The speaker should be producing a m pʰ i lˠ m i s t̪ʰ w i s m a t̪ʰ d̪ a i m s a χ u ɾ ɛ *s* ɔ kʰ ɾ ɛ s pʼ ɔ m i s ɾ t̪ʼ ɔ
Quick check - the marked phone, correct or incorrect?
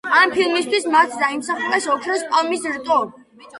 correct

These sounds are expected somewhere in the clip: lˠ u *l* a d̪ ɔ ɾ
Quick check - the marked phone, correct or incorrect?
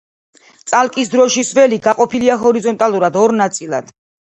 incorrect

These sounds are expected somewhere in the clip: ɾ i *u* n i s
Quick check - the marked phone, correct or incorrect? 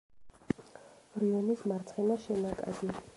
incorrect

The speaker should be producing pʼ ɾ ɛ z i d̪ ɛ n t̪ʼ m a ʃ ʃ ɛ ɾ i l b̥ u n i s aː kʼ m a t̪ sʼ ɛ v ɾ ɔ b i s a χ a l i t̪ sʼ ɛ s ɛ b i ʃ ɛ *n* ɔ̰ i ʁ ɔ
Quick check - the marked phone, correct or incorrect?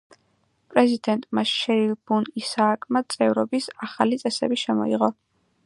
incorrect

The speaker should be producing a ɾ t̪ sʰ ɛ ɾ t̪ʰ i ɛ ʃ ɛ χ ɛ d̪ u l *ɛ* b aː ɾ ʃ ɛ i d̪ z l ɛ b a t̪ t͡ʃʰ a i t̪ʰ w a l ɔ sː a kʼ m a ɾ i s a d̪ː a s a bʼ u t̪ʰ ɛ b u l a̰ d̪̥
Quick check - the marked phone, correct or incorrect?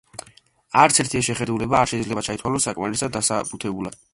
correct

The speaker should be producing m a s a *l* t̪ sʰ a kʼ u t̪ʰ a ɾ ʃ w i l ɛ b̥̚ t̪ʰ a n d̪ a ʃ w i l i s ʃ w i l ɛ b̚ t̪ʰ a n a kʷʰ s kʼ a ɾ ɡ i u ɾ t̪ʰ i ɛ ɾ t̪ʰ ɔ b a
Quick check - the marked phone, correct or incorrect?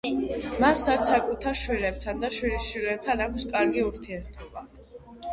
incorrect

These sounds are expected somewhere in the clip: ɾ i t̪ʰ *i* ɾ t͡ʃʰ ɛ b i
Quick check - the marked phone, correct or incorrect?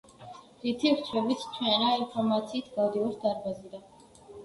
correct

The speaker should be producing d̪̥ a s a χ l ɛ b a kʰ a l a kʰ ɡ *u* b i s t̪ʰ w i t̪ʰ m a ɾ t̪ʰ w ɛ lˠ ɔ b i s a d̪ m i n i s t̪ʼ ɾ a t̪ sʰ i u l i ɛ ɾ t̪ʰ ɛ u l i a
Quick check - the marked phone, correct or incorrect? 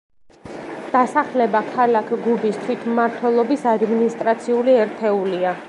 correct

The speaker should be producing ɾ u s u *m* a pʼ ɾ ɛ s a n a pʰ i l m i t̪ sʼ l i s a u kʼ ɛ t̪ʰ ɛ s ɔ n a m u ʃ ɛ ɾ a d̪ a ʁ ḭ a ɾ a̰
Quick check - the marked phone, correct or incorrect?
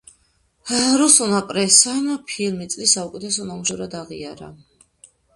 incorrect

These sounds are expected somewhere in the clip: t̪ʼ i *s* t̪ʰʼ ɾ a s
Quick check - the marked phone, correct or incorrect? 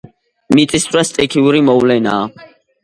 correct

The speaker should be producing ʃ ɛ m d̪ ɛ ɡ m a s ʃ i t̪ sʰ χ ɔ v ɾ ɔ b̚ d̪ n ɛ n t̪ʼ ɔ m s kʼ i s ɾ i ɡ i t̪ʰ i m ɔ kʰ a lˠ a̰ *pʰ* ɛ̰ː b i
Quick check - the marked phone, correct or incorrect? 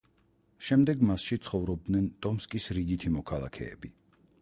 incorrect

